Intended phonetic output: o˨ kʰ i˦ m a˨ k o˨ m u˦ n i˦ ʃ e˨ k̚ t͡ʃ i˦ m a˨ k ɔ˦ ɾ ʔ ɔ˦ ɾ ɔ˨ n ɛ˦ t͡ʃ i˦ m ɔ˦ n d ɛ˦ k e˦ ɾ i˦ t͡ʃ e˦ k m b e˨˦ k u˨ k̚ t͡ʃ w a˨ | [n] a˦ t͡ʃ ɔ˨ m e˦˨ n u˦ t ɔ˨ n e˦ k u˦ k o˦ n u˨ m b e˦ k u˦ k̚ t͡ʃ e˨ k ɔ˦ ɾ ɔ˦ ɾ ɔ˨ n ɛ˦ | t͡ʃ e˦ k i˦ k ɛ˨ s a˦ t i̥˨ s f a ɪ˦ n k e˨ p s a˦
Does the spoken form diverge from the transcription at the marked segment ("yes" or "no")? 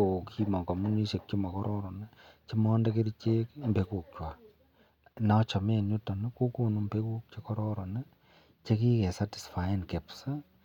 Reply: no